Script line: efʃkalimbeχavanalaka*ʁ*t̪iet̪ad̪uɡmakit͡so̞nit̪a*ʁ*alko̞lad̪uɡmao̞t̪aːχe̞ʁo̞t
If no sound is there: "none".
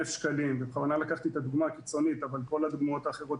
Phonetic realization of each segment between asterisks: χ, v

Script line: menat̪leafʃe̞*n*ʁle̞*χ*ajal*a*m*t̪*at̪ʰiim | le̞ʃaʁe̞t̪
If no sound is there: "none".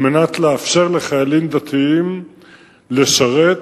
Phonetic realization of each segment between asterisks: none, χ, i, d̪

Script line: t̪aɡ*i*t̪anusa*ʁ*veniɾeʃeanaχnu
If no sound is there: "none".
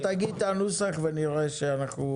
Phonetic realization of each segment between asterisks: i, χ

